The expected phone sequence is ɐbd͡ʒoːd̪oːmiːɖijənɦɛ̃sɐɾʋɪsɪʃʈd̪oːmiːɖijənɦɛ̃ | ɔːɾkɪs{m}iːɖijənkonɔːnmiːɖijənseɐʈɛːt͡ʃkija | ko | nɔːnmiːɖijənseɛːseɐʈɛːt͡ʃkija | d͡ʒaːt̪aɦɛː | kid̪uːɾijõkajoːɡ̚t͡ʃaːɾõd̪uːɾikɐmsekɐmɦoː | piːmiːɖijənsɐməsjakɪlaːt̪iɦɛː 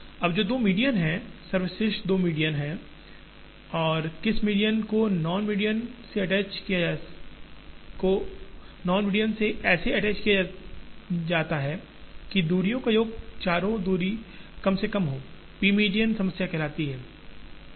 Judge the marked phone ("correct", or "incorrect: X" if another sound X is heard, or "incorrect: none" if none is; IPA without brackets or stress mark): correct